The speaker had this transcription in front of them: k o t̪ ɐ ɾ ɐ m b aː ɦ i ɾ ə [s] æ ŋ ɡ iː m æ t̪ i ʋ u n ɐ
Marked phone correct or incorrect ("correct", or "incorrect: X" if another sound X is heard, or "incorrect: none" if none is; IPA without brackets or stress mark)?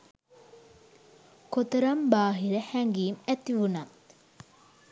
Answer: incorrect: h